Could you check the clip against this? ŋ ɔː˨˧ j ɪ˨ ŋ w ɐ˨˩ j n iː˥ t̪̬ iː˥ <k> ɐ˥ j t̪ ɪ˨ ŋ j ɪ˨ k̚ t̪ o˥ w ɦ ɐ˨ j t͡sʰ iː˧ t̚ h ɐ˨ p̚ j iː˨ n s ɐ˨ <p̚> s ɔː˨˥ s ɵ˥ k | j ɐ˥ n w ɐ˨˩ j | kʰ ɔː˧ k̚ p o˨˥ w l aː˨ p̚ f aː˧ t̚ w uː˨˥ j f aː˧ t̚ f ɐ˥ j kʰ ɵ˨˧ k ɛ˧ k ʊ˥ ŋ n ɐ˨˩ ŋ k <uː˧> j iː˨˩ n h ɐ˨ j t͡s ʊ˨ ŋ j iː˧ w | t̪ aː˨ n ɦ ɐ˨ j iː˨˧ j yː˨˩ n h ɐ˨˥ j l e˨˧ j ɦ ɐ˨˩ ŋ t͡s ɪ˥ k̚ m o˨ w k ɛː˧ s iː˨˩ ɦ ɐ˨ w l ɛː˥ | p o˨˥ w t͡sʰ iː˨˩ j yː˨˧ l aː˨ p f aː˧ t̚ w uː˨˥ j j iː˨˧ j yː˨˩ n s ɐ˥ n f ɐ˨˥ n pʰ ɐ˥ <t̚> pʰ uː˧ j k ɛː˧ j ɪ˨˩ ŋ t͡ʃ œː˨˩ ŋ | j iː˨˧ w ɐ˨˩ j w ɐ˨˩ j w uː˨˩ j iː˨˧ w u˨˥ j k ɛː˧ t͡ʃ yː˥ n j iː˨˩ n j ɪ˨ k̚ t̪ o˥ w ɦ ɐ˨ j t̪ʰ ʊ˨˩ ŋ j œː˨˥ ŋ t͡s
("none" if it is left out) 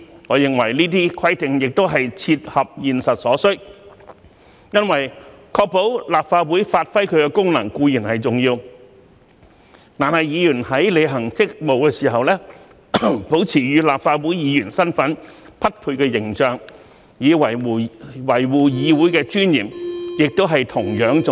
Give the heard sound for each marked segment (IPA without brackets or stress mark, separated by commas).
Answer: kʰ, t̚, uː˧, t̚